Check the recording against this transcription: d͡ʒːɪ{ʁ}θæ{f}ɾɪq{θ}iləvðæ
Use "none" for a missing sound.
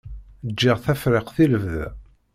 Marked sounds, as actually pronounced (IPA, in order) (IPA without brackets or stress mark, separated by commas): ʁ, f, θ